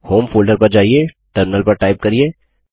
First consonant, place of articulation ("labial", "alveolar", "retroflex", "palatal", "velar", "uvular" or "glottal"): glottal